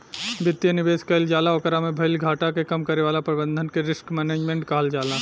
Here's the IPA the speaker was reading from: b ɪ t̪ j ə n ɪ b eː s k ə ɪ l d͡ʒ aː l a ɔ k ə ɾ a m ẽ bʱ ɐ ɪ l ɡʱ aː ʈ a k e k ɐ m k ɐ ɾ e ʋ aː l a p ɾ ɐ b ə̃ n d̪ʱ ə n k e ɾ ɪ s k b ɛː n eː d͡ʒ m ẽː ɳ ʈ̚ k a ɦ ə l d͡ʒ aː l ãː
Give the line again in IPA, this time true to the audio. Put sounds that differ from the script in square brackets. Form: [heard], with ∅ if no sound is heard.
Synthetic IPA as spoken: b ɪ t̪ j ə n ɪ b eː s k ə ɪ l d͡ʒ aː l a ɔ k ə ɾ a m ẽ bʱ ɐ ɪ l ɡʱ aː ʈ a k e k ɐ m k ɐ ɾ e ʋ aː l a p ɾ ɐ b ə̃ n d̪ʱ ə n k e ɾ ɪ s k [m] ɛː n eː d͡ʒ m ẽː ɳ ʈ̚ k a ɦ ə l d͡ʒ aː l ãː